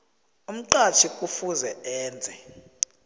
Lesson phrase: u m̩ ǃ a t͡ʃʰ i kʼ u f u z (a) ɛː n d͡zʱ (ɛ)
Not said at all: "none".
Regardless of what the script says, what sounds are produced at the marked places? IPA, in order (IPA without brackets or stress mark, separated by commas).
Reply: ɛ, ɛ